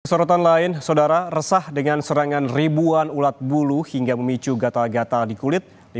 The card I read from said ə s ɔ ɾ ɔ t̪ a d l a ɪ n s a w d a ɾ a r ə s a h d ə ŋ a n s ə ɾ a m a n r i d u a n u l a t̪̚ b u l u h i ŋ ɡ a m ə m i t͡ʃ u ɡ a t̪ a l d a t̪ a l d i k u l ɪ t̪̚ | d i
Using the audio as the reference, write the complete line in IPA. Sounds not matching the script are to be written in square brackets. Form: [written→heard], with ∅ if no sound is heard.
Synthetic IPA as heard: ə s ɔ ɾ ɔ t̪ a [d→n] l a ɪ n s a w d a ɾ a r ə s a h d ə ŋ a n s ə ɾ a [m→ŋ] a n r i [d→b] u a n u l a t̪̚ b u l u h i ŋ ɡ a m ə m i t͡ʃ u ɡ a t̪ a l [d→ɡ] a t̪ a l d i k u l ɪ t̪̚ | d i